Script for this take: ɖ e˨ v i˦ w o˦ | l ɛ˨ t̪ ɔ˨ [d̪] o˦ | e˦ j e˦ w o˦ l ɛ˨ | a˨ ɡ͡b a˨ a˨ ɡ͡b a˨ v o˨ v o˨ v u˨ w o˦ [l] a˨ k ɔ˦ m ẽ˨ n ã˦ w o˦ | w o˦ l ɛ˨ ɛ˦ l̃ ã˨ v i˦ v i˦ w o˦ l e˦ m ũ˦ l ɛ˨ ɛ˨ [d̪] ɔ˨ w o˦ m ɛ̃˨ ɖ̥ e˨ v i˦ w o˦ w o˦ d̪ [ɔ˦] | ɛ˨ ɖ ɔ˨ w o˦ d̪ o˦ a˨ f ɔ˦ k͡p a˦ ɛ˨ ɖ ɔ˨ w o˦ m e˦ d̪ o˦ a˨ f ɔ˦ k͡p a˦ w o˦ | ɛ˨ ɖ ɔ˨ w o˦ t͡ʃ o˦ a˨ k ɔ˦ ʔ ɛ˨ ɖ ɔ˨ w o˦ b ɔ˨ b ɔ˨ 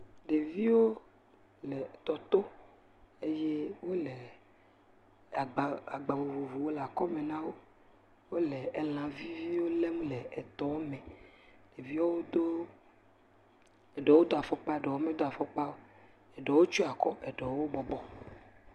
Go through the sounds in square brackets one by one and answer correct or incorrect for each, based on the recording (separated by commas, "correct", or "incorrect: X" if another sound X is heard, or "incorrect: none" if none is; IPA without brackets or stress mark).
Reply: incorrect: t̪, correct, incorrect: t̪, incorrect: o˦